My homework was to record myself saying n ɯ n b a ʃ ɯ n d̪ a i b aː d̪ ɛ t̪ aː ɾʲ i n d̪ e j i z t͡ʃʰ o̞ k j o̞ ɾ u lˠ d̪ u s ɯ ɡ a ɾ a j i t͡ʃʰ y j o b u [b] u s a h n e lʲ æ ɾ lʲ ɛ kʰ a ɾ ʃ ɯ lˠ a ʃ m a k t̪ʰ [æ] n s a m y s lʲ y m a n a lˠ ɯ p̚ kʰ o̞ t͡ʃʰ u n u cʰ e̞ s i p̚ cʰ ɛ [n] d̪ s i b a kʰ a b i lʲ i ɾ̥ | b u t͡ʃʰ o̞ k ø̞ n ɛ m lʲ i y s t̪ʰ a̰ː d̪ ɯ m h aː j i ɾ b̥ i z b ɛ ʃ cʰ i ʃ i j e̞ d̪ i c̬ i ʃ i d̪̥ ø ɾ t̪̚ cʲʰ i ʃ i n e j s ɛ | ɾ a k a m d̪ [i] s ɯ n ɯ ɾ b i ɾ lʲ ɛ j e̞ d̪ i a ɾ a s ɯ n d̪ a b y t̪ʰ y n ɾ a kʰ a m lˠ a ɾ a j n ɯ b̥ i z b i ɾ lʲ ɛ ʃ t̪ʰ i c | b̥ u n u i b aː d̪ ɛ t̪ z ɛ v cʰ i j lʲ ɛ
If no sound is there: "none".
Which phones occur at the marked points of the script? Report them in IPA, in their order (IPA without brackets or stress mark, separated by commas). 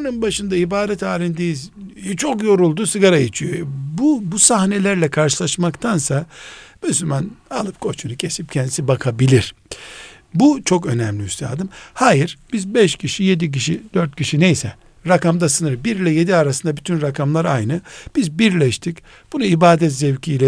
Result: b, a, n, a